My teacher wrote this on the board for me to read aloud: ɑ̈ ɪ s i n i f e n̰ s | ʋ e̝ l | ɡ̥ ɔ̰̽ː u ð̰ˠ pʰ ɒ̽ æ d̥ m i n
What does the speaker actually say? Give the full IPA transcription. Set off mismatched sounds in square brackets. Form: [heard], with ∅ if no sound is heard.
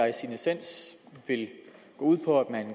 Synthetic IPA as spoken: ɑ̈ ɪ s i n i [s] e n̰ s | ʋ e̝ l | ɡ̥ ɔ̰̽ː u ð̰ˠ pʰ ɒ̽ æ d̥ m [æ] n